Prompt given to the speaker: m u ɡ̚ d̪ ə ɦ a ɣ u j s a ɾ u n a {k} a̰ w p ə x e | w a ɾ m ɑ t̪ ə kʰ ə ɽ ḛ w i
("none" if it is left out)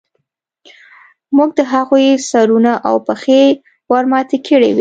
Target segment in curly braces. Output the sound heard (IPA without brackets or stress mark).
ʔ